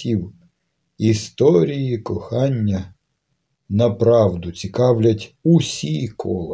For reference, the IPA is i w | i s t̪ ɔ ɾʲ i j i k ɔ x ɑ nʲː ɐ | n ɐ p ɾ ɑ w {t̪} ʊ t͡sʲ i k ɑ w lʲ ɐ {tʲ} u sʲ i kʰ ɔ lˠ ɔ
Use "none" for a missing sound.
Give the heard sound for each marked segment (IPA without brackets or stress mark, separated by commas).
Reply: d̪, tʲ